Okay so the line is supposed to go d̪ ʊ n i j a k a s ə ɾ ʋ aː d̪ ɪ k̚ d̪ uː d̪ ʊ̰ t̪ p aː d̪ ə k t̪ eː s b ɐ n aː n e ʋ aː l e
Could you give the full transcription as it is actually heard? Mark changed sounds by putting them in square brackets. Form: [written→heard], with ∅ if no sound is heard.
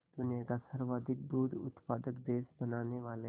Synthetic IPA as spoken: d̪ ʊ n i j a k a s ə ɾ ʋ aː d̪ ɪ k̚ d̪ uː d̪ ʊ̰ t̪ p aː d̪ ə k [t̪→d̪] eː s b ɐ n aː n e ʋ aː l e